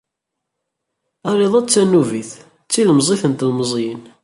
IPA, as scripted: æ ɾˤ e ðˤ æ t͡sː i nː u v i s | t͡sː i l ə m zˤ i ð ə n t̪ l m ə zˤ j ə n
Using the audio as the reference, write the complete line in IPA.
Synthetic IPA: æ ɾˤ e ðˤ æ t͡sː æ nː u v i θ | t͡sː i l ə m zˤ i θ ə n t̪ l m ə zˤ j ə n